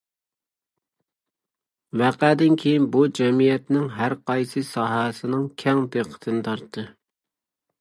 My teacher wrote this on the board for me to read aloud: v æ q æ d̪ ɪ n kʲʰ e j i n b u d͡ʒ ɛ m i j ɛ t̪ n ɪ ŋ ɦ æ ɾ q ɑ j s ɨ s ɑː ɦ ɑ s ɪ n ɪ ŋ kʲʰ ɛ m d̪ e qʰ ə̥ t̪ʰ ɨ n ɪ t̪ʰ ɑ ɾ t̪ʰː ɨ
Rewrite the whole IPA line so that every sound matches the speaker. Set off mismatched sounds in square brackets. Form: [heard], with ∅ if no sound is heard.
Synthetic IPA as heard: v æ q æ d̪ ɪ n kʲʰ e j i n b u d͡ʒ ɛ m i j ɛ t̪ n ɪ ŋ ɦ æ ɾ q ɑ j s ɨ s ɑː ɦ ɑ s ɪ n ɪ ŋ kʲʰ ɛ [ŋ] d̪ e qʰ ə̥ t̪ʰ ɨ n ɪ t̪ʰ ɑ ɾ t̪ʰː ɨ